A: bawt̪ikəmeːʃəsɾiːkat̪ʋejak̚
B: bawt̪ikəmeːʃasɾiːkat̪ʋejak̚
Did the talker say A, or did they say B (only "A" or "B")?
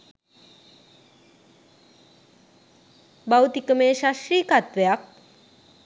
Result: B